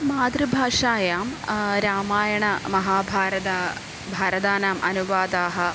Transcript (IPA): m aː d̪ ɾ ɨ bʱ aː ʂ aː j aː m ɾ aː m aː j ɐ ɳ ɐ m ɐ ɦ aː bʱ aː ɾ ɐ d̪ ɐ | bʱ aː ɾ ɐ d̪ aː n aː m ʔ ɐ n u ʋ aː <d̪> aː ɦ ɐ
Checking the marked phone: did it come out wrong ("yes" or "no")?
no